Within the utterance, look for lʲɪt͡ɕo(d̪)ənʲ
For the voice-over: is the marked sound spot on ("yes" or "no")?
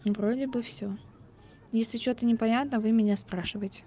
no